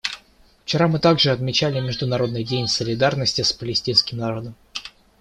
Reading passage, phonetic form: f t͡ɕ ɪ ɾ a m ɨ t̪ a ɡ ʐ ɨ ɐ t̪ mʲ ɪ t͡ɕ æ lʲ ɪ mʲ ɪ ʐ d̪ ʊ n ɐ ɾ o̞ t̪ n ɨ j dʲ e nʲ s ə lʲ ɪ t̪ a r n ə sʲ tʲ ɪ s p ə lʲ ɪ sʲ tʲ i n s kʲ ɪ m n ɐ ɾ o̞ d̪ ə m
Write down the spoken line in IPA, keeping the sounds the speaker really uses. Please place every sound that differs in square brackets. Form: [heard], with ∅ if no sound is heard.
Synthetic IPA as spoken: f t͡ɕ ɪ ɾ a m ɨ t̪ a ɡ ʐ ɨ ɐ t̪ mʲ ɪ t͡ɕ æ lʲ ɪ mʲ ɪ ʐ d̪ ʊ n ɐ ɾ o̞ [d̪] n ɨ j dʲ e nʲ s ə lʲ ɪ [d̪] a r n ə sʲ tʲ ɪ s p ə lʲ ɪ sʲ tʲ i n s kʲ ɪ m n ɐ ɾ o̞ d̪ ə m

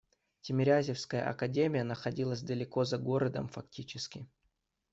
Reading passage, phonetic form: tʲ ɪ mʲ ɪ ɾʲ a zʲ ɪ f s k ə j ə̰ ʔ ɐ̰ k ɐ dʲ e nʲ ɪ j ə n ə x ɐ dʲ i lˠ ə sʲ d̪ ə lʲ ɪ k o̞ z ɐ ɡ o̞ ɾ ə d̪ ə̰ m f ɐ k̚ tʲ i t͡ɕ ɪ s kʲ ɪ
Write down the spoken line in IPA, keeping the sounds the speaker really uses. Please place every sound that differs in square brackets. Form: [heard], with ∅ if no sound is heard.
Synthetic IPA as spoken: tʲ ɪ mʲ ɪ ɾʲ a zʲ ɪ f s k ə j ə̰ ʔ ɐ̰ k ɐ dʲ e [mʲ] ɪ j ə n ə x ɐ dʲ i lˠ ə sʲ d̪ ə lʲ ɪ k o̞ z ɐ ɡ o̞ ɾ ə d̪ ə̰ m f ɐ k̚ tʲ i t͡ɕ ɪ s kʲ ɪ

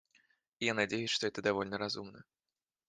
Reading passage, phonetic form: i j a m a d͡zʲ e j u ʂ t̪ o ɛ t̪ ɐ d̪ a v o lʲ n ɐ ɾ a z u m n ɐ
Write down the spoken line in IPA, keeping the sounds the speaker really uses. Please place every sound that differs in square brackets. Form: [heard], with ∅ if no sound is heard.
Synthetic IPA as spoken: i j a [n] a d͡zʲ e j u ʂ t̪ [ɔ] ɛ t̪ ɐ d̪ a v [ɔ] lʲ n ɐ ɾ a z u m n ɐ

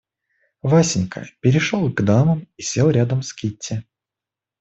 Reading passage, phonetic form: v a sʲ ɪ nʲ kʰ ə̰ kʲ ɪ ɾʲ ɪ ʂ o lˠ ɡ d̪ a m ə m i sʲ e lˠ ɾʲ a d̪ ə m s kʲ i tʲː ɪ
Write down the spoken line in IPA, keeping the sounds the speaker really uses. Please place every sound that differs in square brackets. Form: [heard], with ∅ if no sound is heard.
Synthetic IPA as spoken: v a sʲ ɪ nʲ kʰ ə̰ [pʲ] ɪ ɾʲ ɪ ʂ o lˠ ɡ d̪ a m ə m i sʲ e lˠ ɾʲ a d̪ ə m s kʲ i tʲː ɪ

